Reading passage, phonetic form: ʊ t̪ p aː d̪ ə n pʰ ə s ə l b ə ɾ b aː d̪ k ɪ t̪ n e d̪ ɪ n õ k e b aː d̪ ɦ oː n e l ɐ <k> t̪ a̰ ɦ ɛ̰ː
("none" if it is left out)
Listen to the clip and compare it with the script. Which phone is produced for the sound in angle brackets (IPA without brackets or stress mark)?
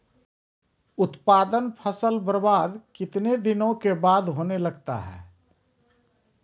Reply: ɡ